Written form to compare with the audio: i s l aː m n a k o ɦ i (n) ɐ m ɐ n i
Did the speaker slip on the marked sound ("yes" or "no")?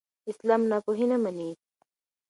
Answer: no